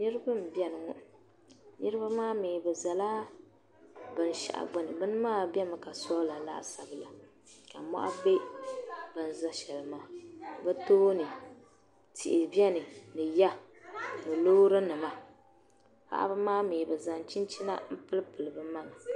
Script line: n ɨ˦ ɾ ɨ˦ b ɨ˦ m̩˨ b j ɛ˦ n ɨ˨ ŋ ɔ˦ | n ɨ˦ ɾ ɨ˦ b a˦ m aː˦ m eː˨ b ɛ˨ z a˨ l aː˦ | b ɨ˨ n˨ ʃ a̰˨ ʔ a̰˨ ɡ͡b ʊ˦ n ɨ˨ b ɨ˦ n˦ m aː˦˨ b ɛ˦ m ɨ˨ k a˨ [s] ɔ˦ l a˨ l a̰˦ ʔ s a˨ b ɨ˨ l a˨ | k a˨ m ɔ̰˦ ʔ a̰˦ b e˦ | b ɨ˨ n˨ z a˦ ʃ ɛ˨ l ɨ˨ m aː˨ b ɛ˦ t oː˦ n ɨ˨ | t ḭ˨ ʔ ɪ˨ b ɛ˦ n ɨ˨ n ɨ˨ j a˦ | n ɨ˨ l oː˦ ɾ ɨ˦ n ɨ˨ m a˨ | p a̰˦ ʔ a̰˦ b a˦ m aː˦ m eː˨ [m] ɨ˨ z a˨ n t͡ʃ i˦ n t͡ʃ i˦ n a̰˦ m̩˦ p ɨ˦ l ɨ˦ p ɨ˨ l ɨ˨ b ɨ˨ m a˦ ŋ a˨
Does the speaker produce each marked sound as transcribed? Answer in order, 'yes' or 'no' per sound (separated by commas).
yes, no